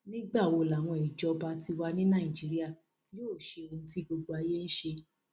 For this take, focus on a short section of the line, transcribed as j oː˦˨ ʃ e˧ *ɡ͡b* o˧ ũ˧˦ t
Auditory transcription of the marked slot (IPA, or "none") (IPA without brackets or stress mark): none